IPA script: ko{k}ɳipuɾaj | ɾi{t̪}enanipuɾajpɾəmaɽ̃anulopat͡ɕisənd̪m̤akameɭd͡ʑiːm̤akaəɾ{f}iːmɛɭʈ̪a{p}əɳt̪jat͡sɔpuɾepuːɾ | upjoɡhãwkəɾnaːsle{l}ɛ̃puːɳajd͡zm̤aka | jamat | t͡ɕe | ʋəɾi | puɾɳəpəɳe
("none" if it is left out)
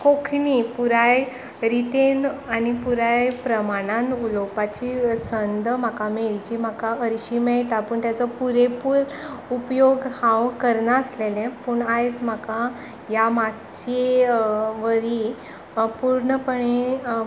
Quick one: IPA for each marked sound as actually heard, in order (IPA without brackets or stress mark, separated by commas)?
kʰ, t̪, ɕ, p, l